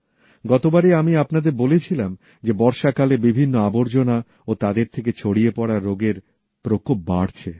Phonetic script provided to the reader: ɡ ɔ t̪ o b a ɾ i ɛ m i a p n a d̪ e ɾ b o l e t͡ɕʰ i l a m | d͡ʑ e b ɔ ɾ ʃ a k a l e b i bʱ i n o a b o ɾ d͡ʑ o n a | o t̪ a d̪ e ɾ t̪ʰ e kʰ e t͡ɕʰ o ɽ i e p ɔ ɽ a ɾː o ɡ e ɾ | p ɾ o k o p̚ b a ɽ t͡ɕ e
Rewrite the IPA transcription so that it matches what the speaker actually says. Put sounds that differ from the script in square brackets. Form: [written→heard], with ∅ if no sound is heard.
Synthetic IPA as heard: ɡ ɔ t̪ o b a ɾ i [ɛ→a] m i a p n a d̪ e ɾ b o l e t͡ɕʰ i l a m | d͡ʑ e b ɔ ɾ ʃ a k a l e b i bʱ i [n→nː] o a b o ɾ d͡ʑ o n a | o t̪ a d̪ e ɾ t̪ʰ e [kʰ→k] e t͡ɕʰ o ɽ i e p ɔ ɽ a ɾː o ɡ e ɾ | p ɾ o k o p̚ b a ɽ [t͡ɕ→t͡ɕʰ] e